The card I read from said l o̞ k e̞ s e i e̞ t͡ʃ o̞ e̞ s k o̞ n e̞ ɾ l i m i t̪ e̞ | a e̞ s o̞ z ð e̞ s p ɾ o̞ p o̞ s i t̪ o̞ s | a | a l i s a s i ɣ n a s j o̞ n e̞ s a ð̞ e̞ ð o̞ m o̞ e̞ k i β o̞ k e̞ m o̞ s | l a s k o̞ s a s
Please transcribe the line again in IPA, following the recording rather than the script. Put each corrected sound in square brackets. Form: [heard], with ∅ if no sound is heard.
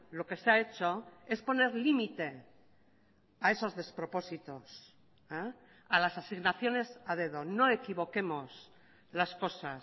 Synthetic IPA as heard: l o̞ k e̞ s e [a] e̞ t͡ʃ o̞ e̞ s [p] o̞ n e̞ ɾ l i m i t̪ e̞ | a e̞ s o̞ z ð e̞ s p ɾ o̞ p o̞ s i t̪ o̞ s | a | a l [a] s a s i ɣ n a [θ] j o̞ n e̞ s a ð̞ e̞ ð o̞ [n] o̞ e̞ k i β o̞ k e̞ m o̞ s | l a s k o̞ s a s